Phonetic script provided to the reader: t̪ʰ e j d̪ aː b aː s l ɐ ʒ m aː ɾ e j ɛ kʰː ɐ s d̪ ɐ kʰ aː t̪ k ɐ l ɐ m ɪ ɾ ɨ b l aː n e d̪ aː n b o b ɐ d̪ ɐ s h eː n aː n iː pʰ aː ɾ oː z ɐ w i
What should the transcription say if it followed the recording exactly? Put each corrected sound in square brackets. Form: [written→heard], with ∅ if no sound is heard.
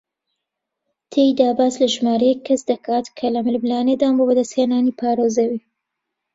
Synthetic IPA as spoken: t̪ʰ e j d̪ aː b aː s l ɐ ʒ m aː ɾ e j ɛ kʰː ɐ s d̪ ɐ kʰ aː t̪ [k→kʰ] ɐ l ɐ m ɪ [ɾ→l] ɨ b l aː n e d̪ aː n b o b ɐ d̪ ɐ s h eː n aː n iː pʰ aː ɾ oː z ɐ w i

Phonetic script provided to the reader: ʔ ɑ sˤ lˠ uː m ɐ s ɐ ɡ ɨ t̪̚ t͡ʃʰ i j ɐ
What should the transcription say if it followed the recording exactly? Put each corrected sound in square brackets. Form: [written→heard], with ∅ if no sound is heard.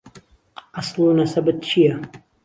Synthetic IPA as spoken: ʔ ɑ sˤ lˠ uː [m→n] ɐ s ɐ [ɡ→b] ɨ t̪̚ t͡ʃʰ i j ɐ

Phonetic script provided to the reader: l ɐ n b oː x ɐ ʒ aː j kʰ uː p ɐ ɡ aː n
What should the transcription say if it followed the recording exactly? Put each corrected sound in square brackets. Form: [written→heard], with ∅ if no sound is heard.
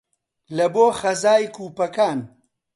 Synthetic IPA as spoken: l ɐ [n→∅] b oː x ɐ [ʒ→z] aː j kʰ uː p ɐ [ɡ→k] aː n

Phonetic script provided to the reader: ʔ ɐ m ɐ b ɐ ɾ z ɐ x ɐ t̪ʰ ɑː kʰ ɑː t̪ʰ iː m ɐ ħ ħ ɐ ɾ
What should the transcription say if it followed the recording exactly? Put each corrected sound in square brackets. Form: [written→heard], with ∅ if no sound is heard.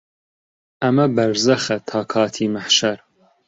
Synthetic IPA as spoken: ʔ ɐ m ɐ b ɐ ɾ z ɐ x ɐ t̪ʰ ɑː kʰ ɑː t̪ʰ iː m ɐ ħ [ħ→ʃ] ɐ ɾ

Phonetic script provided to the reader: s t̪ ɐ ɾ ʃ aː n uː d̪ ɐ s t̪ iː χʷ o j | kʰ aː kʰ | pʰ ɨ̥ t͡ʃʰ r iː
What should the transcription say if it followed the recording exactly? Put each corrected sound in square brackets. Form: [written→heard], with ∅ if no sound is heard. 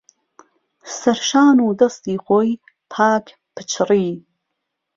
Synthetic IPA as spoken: s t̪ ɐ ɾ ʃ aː n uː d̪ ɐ s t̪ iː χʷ o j | [kʰ→pʰ] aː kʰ | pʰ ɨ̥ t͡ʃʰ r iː

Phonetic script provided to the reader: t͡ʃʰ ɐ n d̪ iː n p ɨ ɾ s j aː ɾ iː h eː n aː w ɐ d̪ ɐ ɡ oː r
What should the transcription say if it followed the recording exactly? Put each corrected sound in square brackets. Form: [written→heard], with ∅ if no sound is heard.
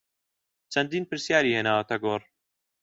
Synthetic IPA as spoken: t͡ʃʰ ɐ n d̪ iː n p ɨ ɾ s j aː ɾ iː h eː n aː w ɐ [d̪→t̪] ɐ ɡ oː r

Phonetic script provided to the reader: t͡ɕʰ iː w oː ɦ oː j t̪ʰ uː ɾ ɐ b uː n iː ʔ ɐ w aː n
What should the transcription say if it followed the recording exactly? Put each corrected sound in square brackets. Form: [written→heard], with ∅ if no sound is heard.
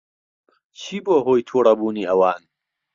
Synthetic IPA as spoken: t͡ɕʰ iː [w→b] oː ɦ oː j t̪ʰ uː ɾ ɐ b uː n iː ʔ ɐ w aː n

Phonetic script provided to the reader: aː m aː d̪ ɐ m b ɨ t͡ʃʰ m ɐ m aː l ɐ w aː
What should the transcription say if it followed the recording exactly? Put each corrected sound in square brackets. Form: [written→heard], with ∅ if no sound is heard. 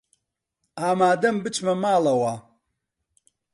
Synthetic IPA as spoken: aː m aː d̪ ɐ m b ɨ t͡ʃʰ m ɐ m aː l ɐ w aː

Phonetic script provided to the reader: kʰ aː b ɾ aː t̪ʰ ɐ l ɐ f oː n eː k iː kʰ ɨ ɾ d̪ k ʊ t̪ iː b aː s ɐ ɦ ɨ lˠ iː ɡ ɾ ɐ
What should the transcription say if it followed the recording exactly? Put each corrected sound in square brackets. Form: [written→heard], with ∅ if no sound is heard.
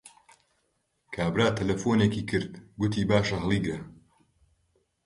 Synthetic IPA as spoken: kʰ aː b ɾ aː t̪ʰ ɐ l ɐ f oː n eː k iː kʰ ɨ ɾ d̪ [k→ɡ] ʊ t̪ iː b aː [s→ʃ] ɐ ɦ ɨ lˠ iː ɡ ɾ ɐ

